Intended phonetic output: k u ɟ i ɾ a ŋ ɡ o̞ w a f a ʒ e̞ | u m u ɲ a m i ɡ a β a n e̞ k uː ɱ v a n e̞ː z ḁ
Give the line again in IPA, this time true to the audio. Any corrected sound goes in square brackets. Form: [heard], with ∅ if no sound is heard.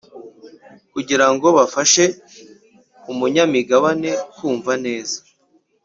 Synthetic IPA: k u ɟ i ɾ a ŋ ɡ o̞ [β] a f a [ʃ] e̞ | u m u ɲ a m i ɡ a β a n e̞ k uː ɱ v a n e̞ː z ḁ